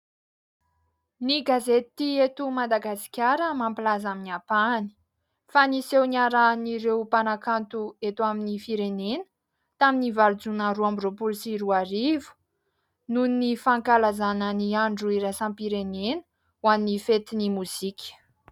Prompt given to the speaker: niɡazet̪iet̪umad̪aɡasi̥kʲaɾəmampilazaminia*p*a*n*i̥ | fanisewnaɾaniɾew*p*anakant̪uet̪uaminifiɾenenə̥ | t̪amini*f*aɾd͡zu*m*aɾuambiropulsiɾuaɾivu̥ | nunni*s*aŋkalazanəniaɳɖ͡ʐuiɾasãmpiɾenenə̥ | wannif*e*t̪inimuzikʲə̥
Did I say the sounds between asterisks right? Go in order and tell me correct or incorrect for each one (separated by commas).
correct, correct, correct, incorrect, incorrect, incorrect, correct